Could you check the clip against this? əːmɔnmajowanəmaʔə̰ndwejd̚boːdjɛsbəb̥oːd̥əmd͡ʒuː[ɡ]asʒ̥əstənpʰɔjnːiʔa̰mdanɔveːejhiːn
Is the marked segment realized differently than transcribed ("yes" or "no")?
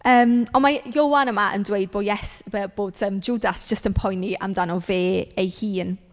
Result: yes